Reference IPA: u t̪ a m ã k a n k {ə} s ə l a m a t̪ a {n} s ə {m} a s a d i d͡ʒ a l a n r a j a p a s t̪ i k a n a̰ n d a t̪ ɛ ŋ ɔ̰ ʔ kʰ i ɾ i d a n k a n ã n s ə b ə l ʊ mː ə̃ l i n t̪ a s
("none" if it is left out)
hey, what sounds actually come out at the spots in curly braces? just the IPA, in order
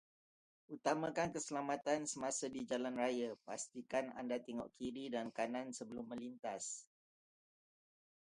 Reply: ə, n, m

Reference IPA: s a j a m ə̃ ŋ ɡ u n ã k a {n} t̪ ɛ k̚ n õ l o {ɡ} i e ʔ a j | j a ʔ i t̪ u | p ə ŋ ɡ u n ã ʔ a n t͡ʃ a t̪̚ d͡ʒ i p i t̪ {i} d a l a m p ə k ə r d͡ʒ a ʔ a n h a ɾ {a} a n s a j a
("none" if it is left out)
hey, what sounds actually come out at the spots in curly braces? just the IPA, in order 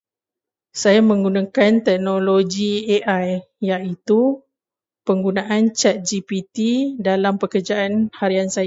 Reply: n, ɡ, i, i

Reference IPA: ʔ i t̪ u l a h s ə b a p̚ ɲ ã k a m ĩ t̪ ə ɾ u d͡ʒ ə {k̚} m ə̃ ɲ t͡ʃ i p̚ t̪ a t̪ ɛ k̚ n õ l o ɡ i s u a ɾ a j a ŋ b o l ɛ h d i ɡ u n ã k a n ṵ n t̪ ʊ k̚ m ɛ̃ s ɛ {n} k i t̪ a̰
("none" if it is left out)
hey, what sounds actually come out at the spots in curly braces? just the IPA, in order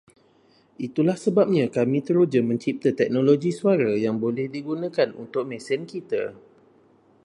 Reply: none, n

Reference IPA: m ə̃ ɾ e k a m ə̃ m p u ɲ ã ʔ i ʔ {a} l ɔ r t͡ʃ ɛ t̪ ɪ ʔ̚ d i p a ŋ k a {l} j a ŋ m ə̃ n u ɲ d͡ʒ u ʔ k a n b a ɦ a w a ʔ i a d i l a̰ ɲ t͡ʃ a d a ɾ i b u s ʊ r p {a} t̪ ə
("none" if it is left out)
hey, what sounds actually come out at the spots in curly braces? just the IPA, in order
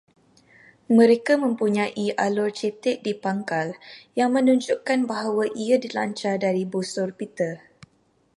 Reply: a, l, i

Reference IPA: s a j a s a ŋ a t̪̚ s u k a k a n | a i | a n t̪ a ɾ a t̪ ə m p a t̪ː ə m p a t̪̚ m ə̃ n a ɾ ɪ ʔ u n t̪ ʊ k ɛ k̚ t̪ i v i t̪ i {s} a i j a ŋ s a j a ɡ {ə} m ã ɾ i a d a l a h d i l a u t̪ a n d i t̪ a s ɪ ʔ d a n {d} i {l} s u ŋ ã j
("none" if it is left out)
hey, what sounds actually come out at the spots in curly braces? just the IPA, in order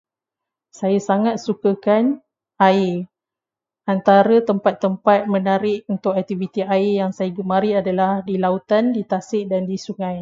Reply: none, ə, d, none

